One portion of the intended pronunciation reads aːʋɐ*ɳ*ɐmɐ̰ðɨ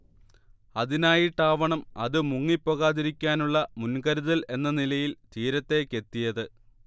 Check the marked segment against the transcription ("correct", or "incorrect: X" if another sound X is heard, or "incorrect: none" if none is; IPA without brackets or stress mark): correct